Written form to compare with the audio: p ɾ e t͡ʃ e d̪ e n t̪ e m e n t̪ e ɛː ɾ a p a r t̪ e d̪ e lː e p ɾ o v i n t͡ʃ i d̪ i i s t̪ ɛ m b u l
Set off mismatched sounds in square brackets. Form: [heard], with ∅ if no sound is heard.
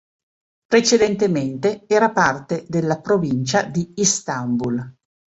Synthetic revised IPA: p ɾ e t͡ʃ e d̪ e n t̪ e m e n t̪ e ɛː ɾ a p a r t̪ e d̪ e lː [a] p ɾ o v i n t͡ʃ [a] d̪ i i s t̪ [a] m b u l